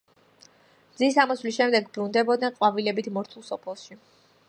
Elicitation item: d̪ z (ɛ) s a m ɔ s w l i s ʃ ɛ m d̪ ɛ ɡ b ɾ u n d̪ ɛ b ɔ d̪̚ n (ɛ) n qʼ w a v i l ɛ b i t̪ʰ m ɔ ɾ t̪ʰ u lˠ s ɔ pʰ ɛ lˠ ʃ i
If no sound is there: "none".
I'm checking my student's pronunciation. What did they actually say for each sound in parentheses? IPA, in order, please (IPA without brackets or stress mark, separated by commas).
i, ɛ